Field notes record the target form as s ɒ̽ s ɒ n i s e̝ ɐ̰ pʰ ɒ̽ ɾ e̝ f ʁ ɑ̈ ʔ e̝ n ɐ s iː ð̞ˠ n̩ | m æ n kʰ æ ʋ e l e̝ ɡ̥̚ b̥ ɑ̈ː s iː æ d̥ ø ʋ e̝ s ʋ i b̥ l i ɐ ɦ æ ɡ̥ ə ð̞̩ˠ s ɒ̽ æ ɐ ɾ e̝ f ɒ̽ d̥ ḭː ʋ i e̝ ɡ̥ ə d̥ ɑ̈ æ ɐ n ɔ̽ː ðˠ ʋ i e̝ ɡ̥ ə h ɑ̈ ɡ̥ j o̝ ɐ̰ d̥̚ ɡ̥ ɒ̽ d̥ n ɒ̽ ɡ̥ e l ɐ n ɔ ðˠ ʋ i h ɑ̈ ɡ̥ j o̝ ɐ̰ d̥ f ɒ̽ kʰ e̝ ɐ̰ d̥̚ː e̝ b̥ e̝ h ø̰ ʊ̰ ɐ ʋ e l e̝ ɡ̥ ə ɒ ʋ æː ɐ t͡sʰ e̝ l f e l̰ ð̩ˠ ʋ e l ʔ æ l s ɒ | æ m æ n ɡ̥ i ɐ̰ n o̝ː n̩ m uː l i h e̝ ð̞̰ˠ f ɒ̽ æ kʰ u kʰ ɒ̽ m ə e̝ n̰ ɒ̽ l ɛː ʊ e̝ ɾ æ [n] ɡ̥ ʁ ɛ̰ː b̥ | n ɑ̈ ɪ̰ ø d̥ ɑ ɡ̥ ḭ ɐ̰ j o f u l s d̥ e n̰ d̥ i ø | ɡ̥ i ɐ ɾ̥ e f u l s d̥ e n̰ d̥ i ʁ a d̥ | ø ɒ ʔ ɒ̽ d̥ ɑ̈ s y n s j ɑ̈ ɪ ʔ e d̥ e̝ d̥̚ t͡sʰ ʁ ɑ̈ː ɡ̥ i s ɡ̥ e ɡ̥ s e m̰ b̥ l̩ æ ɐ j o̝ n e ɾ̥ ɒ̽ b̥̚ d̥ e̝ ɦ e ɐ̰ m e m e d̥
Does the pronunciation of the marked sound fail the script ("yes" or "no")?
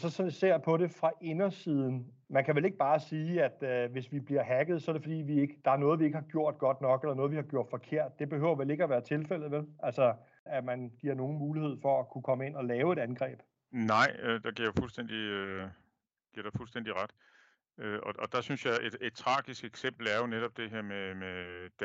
no